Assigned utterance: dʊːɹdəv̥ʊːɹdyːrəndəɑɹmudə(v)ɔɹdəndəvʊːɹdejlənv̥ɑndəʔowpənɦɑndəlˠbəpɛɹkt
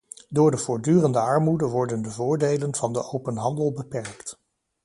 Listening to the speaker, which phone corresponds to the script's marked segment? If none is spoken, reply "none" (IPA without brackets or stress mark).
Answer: ʋ